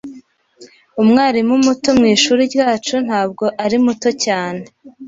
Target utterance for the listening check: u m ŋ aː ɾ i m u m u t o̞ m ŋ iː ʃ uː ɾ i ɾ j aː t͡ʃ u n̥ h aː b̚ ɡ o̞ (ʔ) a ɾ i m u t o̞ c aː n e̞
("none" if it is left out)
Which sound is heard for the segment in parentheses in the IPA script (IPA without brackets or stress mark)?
ʔ